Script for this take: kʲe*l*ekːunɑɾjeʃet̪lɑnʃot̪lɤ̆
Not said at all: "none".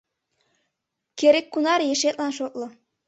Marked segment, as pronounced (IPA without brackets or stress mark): ɾ